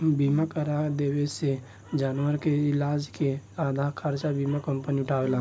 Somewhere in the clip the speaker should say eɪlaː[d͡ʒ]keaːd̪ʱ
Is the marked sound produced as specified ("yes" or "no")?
yes